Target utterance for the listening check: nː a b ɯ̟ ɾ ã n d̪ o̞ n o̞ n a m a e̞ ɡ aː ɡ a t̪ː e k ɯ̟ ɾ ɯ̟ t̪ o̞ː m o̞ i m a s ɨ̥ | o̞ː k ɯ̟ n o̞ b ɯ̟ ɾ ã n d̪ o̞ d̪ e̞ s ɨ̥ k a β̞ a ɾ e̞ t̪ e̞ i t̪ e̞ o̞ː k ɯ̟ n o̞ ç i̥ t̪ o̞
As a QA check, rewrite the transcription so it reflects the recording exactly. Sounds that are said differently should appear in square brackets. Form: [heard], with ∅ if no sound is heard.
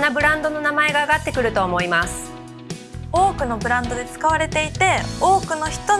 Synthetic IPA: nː a b ɯ̟ ɾ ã n d̪ o̞ n o̞ n a m a e̞ ɡ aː ɡ a t̪ː e k ɯ̟ ɾ ɯ̟ t̪ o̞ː m o̞ i m a s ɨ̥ | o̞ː k ɯ̟ n o̞ b ɯ̟ ɾ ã n d̪ o̞ d̪ e̞ [t͡s] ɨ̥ k a β̞ a ɾ e̞ t̪ e̞ i t̪ e̞ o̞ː k ɯ̟ n o̞ ç i̥ t̪ o̞